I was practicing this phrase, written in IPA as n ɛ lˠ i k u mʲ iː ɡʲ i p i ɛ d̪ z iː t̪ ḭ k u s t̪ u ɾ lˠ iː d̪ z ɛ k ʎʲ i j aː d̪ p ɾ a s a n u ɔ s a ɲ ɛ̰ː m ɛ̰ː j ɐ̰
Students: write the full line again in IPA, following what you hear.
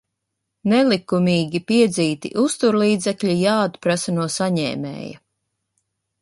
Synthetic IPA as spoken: n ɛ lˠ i k u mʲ iː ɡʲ i p i ɛ d̪ z iː t̪ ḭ ʔ u s t̪ u ɾ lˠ iː d̪ z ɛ k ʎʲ i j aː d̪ p ɾ a s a n u ɔ s a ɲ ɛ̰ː m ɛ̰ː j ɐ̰